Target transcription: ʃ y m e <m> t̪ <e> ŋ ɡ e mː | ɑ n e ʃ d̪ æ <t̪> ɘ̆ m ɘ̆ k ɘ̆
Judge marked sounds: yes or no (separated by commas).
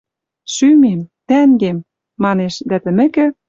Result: yes, no, yes